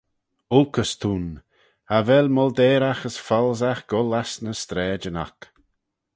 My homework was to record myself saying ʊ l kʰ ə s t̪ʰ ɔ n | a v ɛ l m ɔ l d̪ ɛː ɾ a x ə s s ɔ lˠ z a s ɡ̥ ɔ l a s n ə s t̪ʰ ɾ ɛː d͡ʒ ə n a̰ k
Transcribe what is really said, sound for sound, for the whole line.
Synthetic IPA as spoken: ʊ l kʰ ə s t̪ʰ u n | a v ɛ l m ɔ l d̪ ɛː ɾ a x ə s f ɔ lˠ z a x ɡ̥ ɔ l a s n ə s t̪ ɾ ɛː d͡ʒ ə n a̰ k